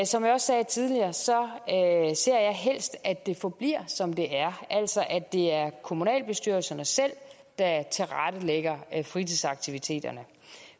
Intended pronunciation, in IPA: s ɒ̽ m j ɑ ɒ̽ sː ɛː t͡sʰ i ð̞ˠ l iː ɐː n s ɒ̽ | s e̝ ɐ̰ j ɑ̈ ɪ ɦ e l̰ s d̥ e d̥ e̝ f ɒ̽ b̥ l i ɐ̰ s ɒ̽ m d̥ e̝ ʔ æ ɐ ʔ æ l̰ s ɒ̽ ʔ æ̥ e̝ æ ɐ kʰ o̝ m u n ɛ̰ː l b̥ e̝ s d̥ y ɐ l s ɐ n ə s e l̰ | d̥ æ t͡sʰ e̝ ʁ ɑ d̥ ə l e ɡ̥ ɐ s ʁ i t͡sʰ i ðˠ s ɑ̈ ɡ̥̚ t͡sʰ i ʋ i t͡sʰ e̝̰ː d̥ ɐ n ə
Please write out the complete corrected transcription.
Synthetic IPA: s ɒ̽ m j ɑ ɒ̽ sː ɛː t͡sʰ i ð̞ˠ l i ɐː s ɒ̽ | s e̝ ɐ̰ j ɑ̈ ɪ ɦ e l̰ s d̥ æ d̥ e̝ f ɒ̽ b̥ l i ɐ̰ s ɒ̽ m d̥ e̝ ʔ æ ɐ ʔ æ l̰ s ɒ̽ ʔ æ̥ e̝ æ ɐ kʰ o̝ m u n ɛ̰ː l b̥ e̝ s d̥ y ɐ l s ɐ n ə s e l̰ | d̥ æ t͡sʰ e̝ ʁ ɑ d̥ ə l e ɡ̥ ɐ f ʁ i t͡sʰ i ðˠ s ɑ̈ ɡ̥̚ t͡sʰ i ʋ i t͡sʰ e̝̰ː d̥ ɐ n ə